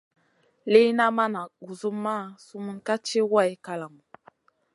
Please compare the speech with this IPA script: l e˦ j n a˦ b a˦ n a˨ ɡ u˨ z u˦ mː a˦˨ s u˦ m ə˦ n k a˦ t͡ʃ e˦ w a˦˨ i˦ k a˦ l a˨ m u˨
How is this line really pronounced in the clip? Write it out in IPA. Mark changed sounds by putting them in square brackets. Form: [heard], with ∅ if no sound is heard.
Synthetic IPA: l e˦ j n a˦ [m] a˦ n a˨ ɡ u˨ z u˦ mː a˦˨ s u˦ m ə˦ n k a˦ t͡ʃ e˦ w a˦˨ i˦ k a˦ l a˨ m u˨